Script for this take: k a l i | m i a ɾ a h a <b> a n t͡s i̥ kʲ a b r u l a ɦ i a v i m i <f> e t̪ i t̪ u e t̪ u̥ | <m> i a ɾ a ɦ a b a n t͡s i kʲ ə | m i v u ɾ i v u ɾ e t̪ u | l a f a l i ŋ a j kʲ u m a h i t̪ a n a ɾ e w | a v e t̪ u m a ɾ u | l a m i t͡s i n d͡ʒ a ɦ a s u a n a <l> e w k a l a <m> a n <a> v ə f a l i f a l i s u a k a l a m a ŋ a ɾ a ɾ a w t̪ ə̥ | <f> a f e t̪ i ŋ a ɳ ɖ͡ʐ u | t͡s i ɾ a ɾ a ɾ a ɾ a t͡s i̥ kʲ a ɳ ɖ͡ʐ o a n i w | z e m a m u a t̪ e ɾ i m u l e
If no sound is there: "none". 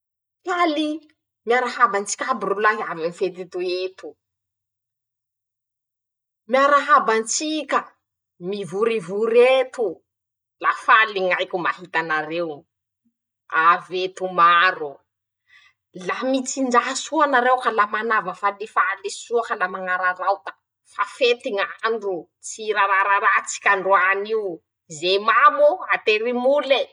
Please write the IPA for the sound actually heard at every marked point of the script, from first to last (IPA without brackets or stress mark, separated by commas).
b, f, m, ɾ, m, a, f